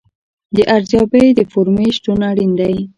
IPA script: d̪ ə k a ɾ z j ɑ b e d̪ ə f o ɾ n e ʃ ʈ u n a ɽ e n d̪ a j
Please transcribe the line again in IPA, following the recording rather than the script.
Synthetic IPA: d̪ ə ʔ a ɾ z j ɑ b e d̪ ə f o ɾ m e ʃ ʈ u n a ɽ i n d̪ a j